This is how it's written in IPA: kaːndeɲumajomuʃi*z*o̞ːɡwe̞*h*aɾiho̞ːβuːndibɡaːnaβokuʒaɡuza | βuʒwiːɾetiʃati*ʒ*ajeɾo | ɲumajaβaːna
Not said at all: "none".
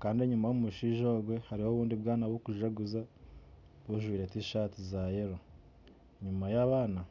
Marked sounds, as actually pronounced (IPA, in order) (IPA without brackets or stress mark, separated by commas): ʒ, h, z